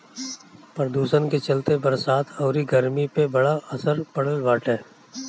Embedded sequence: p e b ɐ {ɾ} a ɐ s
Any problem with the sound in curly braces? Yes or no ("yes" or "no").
yes